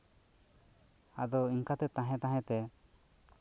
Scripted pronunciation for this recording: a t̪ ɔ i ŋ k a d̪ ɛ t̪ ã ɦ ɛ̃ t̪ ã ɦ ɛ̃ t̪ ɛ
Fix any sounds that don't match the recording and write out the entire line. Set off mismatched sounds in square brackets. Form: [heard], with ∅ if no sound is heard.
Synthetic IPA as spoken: a [d̪] ɔ i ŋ k a [t̪] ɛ t̪ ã ɦ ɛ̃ t̪ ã ɦ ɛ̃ t̪ ɛ